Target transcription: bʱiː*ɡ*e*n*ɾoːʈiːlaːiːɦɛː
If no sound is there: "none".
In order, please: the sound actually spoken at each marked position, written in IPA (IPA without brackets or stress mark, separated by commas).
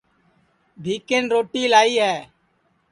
k, n